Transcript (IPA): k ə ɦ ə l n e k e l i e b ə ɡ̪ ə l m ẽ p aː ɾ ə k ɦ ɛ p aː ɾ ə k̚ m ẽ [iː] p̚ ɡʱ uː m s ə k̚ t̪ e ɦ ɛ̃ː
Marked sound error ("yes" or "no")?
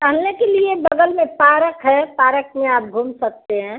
yes